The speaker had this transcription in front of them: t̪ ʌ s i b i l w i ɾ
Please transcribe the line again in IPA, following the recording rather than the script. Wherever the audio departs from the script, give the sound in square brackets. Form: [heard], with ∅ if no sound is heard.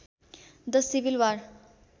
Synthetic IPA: [d̪] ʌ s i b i l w [a] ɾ